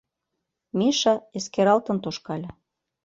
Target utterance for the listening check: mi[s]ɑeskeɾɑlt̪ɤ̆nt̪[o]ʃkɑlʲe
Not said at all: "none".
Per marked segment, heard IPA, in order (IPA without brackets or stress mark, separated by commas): ʃ, o